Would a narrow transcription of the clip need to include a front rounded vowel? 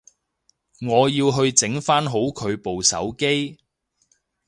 no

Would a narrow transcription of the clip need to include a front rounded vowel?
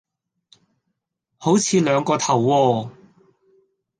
yes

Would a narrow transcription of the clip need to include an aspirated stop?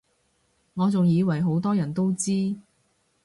no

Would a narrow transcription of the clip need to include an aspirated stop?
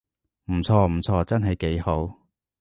yes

